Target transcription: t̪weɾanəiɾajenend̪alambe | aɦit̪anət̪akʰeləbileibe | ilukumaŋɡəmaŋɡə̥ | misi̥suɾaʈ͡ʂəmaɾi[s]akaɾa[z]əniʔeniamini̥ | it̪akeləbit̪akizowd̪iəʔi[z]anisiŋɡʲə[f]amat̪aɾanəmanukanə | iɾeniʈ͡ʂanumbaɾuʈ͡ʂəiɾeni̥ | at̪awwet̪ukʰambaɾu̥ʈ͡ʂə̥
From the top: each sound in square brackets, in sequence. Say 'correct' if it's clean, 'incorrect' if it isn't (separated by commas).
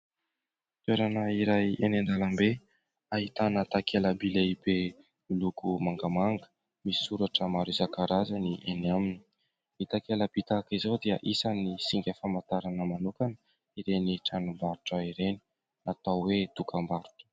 incorrect, correct, incorrect, correct